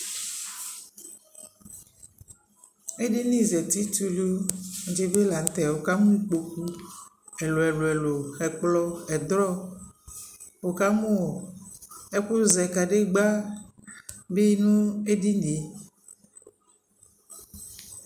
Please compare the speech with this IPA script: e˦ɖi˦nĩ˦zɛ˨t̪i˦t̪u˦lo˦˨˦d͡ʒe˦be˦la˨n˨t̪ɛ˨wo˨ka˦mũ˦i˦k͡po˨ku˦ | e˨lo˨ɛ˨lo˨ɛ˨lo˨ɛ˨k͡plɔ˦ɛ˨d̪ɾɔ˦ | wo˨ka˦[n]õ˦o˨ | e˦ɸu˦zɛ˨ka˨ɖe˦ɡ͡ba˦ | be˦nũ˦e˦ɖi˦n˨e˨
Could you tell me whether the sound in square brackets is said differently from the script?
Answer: yes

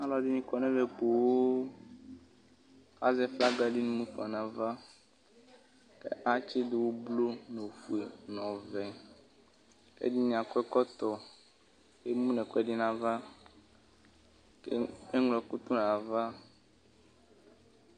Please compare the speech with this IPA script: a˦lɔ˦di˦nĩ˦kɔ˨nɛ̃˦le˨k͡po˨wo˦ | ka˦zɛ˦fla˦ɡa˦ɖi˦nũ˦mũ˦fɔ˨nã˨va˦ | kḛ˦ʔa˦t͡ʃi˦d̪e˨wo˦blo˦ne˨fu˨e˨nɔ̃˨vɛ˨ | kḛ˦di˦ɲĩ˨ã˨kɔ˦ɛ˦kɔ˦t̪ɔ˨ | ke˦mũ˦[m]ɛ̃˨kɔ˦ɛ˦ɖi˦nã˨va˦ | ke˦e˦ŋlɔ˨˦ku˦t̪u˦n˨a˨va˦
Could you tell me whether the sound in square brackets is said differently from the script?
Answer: yes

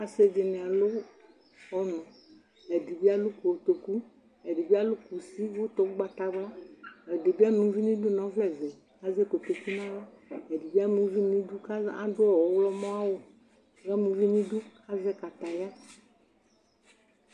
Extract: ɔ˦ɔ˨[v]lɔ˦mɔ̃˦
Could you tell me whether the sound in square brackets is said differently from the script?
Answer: yes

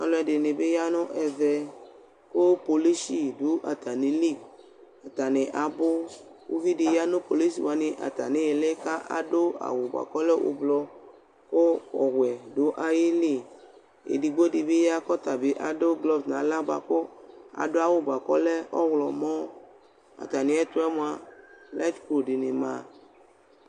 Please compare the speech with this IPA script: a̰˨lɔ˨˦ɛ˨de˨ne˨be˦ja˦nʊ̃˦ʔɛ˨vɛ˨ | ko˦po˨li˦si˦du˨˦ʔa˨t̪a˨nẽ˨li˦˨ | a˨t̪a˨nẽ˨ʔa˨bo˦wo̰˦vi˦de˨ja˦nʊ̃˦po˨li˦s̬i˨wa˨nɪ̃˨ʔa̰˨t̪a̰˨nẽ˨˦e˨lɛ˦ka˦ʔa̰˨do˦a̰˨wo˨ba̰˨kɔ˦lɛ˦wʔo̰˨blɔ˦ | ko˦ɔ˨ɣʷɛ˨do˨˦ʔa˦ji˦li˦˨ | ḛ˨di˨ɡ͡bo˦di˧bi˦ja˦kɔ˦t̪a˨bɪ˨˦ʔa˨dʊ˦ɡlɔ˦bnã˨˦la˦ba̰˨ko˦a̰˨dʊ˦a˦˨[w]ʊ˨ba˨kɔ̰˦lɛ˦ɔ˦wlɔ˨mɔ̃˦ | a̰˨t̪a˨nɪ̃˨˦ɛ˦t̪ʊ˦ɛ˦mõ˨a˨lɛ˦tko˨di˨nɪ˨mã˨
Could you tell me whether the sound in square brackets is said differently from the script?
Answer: no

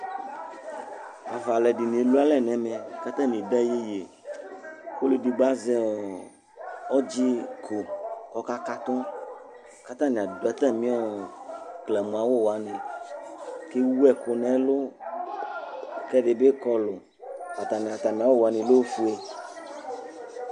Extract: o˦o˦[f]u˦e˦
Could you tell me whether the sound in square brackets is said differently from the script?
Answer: no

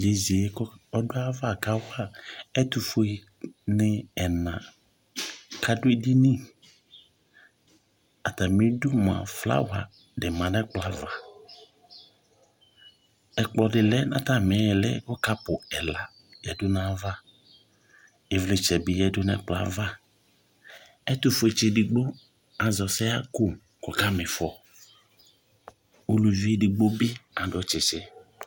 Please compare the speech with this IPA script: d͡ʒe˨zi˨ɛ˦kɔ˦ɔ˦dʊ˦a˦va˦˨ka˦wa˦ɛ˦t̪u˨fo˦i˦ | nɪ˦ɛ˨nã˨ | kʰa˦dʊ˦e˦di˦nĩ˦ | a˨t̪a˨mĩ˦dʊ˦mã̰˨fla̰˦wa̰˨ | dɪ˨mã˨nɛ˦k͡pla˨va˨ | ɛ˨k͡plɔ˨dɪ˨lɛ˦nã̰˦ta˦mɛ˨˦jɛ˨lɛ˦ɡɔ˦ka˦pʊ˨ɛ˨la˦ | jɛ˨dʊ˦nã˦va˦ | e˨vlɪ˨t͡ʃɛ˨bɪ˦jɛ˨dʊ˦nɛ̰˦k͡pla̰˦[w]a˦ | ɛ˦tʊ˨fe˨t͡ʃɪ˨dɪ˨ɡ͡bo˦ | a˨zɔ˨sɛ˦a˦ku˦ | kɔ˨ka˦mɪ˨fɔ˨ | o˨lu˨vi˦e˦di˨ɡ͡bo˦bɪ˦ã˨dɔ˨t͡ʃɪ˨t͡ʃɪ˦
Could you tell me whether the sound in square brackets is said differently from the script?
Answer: yes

